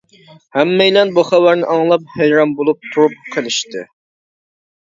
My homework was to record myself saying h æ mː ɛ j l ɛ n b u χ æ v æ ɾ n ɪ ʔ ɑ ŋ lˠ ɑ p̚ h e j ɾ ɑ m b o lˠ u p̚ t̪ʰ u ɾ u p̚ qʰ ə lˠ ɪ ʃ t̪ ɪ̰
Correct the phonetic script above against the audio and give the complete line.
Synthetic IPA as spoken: h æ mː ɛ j l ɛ n b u χ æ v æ ɾ n ɪ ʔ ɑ ŋ lˠ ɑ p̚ h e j ɾ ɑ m b o lˠ u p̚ t̪ʰ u ɾ u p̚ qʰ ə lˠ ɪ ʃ t̪ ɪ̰